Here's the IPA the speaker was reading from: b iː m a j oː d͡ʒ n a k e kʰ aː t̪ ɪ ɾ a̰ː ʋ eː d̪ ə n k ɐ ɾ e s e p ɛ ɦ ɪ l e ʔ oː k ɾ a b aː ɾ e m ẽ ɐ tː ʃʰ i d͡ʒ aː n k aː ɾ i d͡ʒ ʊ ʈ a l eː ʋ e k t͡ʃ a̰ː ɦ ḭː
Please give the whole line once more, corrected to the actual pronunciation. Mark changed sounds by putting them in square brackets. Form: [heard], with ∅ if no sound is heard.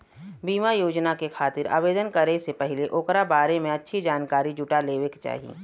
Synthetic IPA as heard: b iː m a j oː d͡ʒ n a k e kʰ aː t̪ ɪ ɾ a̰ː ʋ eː d̪ ə n k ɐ ɾ e s e p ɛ ɦ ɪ l e ʔ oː k ɾ a b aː ɾ e m ẽ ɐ tː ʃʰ i d͡ʒ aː n k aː ɾ i d͡ʒ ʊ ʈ a l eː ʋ e k t͡ʃ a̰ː ɦ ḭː